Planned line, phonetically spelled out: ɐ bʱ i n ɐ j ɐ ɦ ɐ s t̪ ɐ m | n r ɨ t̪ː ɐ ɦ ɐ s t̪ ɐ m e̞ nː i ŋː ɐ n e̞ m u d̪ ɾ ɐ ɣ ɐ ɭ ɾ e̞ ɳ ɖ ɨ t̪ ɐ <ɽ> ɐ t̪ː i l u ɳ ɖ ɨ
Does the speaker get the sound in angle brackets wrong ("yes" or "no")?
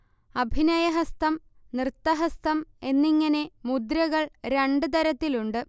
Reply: yes